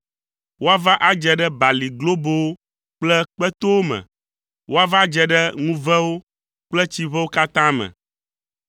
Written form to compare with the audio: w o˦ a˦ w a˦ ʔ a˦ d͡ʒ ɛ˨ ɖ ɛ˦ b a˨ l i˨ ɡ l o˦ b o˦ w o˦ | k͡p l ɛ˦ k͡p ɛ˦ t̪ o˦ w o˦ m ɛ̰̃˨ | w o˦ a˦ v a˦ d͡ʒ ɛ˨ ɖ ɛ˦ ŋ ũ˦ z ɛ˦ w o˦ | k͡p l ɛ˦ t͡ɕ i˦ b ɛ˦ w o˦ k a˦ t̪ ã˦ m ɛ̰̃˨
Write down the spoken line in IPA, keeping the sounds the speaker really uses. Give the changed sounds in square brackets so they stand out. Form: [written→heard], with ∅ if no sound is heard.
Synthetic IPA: w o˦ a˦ [w→v] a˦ ʔ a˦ d͡ʒ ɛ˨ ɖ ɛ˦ b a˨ l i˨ ɡ l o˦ b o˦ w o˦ | k͡p l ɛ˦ k͡p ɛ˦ t̪ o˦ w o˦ m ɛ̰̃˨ | w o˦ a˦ v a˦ d͡ʒ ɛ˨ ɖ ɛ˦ ŋ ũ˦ [z→v] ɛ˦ w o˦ | k͡p l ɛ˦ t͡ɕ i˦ [b→β] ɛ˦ w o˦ k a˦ t̪ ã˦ m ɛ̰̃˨